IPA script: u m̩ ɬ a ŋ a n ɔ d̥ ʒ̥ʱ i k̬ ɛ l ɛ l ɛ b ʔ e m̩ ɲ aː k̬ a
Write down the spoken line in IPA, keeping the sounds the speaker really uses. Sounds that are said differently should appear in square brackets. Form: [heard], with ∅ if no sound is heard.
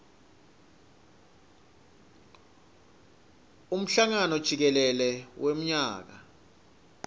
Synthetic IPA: u m̩ ɬ a ŋ a n ɔ d̥ ʒ̥ʱ i k̬ ɛ l ɛ l ɛ [w] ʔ e m̩ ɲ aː k̬ a